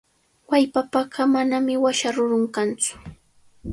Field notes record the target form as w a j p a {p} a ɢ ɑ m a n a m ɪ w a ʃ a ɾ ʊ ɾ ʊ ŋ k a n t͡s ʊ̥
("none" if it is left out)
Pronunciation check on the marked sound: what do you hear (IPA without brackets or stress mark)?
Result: p